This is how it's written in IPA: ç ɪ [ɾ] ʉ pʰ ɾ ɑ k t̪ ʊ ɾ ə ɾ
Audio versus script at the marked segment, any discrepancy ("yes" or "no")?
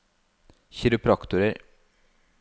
no